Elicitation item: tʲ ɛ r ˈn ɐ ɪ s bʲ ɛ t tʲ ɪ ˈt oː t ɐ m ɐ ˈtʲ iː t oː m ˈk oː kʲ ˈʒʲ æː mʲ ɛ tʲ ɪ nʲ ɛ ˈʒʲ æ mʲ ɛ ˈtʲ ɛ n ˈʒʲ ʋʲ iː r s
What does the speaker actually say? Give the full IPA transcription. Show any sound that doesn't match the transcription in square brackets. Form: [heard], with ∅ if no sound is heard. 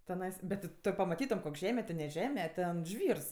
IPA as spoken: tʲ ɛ [∅] ˈn ɐ ɪ s bʲ ɛ t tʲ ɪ ˈt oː [p] ɐ m ɐ ˈtʲ iː t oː m ˈk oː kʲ ˈʒʲ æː mʲ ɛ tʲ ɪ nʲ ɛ ˈʒʲ [æː] mʲ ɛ ˈtʲ ɛ n ˈʒʲ ʋʲ iː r s

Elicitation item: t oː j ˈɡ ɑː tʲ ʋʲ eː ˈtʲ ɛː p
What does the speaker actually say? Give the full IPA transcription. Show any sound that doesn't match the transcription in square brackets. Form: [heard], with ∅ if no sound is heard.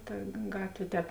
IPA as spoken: t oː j ˈɡ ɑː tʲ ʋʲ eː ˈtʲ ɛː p

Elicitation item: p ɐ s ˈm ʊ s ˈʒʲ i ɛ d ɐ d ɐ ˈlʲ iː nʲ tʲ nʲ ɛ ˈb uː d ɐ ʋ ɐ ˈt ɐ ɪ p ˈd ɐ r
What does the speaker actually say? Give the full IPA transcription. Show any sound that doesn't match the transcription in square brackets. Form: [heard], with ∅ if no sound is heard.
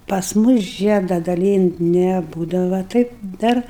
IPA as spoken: p ɐ s ˈm ʊ s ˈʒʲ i ɛ d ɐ d ɐ ˈlʲ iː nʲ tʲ nʲ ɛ ˈb uː d ɐ ʋ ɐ ˈt ɐ ɪ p ˈd ɐ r

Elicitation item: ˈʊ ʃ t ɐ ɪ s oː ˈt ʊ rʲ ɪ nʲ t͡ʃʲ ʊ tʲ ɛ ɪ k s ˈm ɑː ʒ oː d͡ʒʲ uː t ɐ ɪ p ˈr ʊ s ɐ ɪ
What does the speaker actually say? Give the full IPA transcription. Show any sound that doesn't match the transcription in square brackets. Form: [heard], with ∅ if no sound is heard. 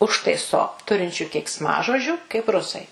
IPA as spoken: ˈʊ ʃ t ɐ ɪ s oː ˈt ʊ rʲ ɪ nʲ t͡ʃʲ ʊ [kʲ] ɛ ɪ k s ˈm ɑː ʒ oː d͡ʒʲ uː [k] ɐ ɪ p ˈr ʊ s ɐ ɪ

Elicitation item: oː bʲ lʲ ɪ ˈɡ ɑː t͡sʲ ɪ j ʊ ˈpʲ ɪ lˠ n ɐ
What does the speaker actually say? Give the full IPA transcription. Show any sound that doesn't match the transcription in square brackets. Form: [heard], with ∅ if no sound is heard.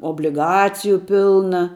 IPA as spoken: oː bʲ lʲ ɪ ˈɡ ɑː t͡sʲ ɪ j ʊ ˈpʲ ɪ lˠ n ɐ

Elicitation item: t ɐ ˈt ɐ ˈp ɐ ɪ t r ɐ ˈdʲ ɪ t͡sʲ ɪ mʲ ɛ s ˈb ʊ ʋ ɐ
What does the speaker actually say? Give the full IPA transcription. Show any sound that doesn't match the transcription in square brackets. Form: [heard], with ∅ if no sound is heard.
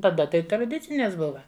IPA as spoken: t ɐ [ˈd] ɐ [ˈt] ɐ ɪ t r ɐ ˈdʲ ɪ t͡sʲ ɪ [nʲ] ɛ s ˈb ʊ ʋ ɐ

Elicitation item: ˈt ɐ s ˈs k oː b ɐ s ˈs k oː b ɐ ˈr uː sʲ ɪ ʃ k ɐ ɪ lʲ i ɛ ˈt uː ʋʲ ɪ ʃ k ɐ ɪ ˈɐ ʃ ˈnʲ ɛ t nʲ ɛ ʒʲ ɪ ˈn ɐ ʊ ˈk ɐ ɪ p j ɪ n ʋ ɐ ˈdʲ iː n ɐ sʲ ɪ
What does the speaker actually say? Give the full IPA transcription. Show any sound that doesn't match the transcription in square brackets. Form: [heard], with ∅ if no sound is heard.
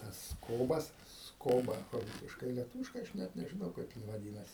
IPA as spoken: ˈt ɐ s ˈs k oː b ɐ s ˈs k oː b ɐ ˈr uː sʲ ɪ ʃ k ɐ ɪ lʲ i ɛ ˈt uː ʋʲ ɪ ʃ k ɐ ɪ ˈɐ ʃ ˈnʲ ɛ t nʲ ɛ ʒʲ ɪ ˈn ɐ ʊ ˈk ɐ ɪ p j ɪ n ʋ ɐ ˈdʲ iː n ɐ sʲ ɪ

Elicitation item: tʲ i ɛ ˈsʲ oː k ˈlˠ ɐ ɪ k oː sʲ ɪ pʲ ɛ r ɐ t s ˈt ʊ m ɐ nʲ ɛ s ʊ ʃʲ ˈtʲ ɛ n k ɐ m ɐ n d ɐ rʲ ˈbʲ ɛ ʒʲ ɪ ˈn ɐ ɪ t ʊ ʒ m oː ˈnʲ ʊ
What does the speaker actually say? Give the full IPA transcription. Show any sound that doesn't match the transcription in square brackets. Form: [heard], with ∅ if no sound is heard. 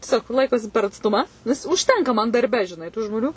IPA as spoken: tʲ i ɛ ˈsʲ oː k ˈlˠ ɐ ɪ k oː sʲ ɪ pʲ ɛ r ɐ t s ˈt ʊ m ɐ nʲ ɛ s ʊ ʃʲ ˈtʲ ɛ [ŋ] k ɐ m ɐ n d ɐ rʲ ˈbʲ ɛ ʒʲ ɪ ˈn ɐ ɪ t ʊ ʒ m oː ˈnʲ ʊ

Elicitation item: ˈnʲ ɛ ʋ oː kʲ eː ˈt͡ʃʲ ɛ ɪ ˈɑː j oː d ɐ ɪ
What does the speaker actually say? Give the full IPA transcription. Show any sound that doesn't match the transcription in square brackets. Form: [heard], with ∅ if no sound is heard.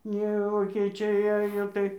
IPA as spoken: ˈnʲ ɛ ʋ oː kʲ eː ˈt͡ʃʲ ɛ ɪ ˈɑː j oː [t] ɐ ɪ

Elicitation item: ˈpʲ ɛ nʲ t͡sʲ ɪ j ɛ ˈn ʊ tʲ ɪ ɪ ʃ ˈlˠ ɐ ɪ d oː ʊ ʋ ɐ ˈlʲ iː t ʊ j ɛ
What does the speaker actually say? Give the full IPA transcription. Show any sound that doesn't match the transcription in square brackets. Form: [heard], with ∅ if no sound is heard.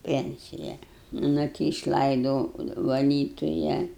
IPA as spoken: ˈpʲ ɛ nʲ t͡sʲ ɪ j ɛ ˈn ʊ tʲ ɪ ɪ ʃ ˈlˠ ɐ ɪ d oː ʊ ʋ ɐ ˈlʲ iː t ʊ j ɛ

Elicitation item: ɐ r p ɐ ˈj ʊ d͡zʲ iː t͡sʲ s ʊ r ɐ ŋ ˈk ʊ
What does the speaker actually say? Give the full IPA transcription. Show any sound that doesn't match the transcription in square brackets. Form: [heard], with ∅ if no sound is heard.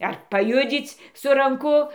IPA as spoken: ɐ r p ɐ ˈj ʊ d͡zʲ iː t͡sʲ s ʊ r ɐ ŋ ˈk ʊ

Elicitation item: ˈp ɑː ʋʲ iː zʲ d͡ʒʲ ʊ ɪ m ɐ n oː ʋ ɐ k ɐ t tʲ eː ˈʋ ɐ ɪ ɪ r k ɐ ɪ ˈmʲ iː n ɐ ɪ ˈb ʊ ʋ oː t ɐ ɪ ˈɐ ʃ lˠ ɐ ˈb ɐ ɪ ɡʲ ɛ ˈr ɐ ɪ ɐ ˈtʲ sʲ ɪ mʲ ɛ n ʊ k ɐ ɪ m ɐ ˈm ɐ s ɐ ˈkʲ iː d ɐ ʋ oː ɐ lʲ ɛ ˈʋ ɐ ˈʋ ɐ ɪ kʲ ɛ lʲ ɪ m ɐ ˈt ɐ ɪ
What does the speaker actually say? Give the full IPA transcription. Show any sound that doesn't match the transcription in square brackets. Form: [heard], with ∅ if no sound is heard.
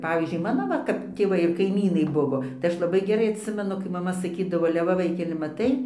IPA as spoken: ˈp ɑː ʋʲ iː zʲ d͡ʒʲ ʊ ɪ m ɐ n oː ʋ ɐ k ɐ [p] tʲ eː ˈʋ ɐ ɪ ɪ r k ɐ ɪ ˈmʲ iː n ɐ ɪ ˈb ʊ ʋ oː t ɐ ɪ ˈɐ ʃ lˠ ɐ ˈb ɐ ɪ ɡʲ ɛ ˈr ɐ ɪ ɐ ˈtʲ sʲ ɪ mʲ ɛ n ʊ k ɐ ɪ m ɐ ˈm ɐ s ɐ ˈkʲ iː d ɐ ʋ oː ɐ lʲ ɛ ˈʋ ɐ ˈʋ ɐ ɪ kʲ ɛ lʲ ɪ m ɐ ˈt ɐ ɪ

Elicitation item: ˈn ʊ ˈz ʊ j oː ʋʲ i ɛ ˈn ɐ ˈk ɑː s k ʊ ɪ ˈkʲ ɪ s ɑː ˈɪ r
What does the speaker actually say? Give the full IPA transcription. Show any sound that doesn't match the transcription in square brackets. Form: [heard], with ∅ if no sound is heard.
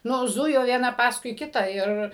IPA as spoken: ˈn ʊ ˈz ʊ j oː ʋʲ i ɛ ˈn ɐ [ˈp] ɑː s k ʊ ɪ ˈkʲ ɪ [t] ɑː ˈɪ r

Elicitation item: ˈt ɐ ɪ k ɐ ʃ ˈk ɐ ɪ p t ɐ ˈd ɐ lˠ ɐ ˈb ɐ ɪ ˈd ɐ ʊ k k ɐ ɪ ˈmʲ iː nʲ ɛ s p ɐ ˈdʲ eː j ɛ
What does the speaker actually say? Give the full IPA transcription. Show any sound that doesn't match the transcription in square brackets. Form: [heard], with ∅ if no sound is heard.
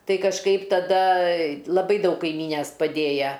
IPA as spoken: ˈt ɐ ɪ k ɐ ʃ ˈk ɐ ɪ p t ɐ ˈd ɐ lˠ ɐ ˈb ɐ ɪ ˈd ɐ ʊ k k ɐ ɪ ˈmʲ iː nʲ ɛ s p ɐ ˈdʲ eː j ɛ

